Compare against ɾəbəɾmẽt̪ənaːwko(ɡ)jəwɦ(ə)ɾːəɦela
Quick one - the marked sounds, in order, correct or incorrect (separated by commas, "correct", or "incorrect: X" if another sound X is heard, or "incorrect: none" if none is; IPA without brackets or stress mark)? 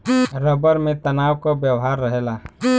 incorrect: b, incorrect: a